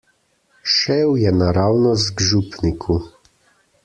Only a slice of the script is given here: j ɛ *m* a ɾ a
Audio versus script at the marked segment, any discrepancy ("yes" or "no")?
yes